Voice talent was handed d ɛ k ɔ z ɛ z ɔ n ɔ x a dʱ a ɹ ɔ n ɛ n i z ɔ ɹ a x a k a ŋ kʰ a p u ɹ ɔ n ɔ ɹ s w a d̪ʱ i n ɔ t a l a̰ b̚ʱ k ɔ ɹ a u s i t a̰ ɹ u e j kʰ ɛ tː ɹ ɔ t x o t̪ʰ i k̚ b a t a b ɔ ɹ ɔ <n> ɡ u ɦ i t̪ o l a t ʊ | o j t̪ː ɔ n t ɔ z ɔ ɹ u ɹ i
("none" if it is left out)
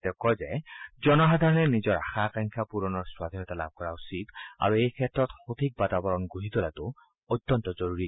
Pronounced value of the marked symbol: n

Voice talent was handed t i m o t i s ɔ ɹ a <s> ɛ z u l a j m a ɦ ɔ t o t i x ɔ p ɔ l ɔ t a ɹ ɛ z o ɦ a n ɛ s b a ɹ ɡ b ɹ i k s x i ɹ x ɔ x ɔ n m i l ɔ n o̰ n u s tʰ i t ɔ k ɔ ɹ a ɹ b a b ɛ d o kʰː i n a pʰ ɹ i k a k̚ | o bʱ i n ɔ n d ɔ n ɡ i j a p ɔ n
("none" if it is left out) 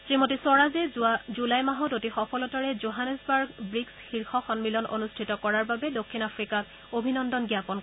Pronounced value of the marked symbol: z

